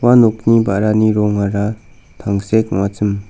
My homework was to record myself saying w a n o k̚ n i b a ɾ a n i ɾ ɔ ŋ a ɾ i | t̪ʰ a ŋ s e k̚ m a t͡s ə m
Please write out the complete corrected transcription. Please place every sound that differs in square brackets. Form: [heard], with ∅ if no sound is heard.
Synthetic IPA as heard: w a n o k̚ n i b a ɾ a n i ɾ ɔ ŋ a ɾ [a] | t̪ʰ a ŋ s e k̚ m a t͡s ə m